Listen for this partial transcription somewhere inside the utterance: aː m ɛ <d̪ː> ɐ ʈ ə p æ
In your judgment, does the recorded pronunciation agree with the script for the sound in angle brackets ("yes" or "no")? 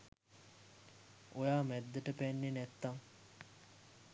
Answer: yes